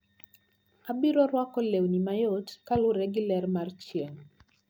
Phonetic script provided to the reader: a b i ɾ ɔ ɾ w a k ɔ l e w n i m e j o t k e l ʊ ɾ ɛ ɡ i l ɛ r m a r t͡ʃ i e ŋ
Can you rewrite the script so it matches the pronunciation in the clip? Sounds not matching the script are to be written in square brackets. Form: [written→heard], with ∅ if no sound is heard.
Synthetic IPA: a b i ɾ ɔ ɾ w a k ɔ l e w n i m [e→a] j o t k [e→a] l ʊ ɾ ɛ ɡ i l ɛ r m a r t͡ʃ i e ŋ